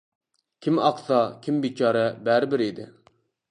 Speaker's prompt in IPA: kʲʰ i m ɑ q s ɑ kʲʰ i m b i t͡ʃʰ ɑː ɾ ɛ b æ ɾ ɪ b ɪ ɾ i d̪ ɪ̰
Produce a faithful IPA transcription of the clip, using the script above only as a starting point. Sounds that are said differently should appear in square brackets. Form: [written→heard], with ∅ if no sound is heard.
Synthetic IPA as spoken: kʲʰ i m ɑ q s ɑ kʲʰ i m b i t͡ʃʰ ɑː ɾ ɛ b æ ɾ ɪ b ɪ ɾ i d̪ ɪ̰